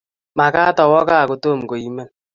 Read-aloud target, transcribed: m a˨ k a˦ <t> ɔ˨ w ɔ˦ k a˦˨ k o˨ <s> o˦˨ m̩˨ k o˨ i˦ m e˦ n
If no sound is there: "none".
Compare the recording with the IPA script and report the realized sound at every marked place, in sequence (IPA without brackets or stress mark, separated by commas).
t, t